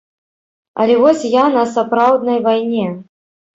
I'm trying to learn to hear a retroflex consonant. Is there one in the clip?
no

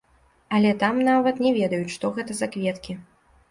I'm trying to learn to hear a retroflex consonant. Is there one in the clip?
yes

